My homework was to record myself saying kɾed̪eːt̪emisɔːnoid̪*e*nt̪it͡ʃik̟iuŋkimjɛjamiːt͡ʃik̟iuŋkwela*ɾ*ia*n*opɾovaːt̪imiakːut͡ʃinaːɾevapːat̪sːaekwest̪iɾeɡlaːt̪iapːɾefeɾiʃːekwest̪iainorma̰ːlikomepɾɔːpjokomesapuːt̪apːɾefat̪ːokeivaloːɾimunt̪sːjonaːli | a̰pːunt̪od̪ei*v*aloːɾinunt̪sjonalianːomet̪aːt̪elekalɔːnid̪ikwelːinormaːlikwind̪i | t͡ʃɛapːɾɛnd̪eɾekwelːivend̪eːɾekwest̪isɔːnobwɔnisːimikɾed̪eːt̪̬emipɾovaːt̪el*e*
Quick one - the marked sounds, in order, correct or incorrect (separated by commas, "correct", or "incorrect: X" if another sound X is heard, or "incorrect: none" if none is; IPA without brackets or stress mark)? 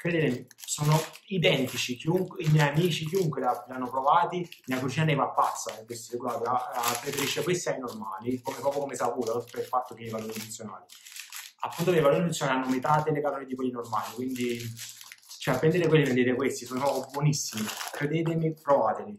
incorrect: ɛ, incorrect: l, incorrect: nː, correct, incorrect: i